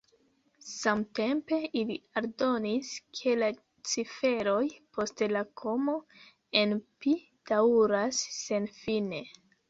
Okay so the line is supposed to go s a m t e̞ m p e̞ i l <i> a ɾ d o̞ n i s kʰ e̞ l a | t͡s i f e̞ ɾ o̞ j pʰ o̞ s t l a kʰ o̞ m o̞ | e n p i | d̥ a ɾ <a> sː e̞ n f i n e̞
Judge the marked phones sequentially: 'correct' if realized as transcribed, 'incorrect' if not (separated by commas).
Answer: correct, correct